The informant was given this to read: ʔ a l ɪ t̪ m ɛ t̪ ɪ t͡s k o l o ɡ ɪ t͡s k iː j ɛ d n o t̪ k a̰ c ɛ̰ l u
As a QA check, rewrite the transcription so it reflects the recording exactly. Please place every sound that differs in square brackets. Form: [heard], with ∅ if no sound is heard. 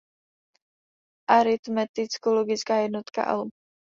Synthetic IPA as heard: ʔ a [ɾ] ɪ t̪ m ɛ t̪ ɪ t͡s k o l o ɡ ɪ t͡s k [aː] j ɛ d n o t̪ k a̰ [ʔ] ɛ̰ l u